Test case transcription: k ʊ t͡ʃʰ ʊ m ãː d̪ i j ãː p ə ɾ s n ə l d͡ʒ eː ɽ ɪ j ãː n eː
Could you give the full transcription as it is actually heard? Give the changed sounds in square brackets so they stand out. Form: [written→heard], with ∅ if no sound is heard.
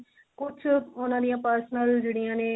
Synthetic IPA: k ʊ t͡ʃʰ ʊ [m→n] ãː d̪ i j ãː p ə ɾ s n ə l d͡ʒ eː ɽ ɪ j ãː n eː